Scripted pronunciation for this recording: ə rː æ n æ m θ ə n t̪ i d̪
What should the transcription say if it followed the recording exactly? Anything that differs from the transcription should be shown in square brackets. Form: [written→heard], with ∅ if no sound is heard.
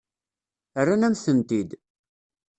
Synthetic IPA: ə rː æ n æ m θ ə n t̪ i d̪